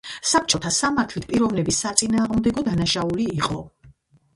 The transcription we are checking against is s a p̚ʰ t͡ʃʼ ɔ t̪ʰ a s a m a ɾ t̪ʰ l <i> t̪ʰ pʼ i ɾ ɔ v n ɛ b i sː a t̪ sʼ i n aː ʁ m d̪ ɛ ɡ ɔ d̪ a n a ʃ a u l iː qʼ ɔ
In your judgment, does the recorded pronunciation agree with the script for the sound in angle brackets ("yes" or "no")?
yes